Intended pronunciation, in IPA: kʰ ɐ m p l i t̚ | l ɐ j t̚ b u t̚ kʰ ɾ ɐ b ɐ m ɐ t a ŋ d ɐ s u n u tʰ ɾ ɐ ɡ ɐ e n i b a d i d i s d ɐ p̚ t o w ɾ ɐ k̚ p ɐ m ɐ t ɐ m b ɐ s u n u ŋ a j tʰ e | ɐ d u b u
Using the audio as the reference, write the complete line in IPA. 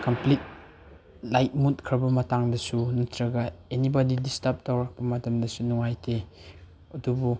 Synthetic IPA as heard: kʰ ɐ m p l i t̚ | l a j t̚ m u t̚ kʰ ɾ ɐ b ɐ m ɐ t a ŋ d ɐ s u n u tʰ ɾ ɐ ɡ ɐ e n i b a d i d i s t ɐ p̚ t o w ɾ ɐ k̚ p ɐ m ɐ t ɐ m d ɐ s u n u ŋ a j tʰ e | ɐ d u b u

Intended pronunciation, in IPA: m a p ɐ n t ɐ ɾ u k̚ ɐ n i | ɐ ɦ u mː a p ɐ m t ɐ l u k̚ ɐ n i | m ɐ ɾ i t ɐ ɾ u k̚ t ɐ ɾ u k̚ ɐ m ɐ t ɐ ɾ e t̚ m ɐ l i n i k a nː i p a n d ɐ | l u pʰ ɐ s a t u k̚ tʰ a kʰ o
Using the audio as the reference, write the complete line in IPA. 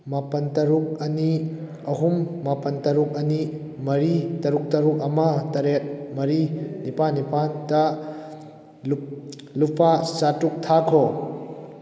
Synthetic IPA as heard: m a p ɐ n t ɐ ɾ u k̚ ɐ n i | ɐ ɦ u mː a p ɐ n t ɐ ɾ u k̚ ɐ n i | m ɐ ɾ i t ɐ ɾ u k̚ t ɐ ɾ u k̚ ɐ m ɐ t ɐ ɾ e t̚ m ɐ ɾ i n i p a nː i p a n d ɐ | l u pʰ a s a t u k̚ tʰ a kʰ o

